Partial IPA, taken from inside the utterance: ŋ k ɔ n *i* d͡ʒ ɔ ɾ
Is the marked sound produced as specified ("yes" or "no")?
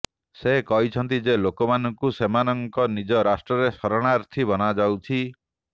yes